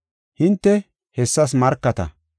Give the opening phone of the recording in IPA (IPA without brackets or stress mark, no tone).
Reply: h